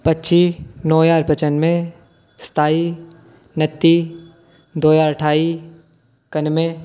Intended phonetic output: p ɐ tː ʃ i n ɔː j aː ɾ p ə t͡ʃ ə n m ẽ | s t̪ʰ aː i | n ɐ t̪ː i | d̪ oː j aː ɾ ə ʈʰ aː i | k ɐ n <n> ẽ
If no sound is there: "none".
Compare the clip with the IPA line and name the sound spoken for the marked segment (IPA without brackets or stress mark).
m